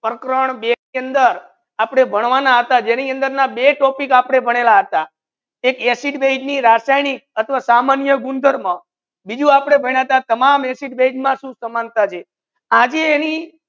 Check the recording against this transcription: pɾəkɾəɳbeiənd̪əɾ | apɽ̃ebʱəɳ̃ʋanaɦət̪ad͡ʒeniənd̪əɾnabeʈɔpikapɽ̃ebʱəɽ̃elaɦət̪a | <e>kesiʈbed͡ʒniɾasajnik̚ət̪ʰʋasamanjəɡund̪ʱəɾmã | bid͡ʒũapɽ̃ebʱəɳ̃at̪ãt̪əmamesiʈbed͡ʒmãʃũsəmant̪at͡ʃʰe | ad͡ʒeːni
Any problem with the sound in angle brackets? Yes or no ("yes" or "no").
no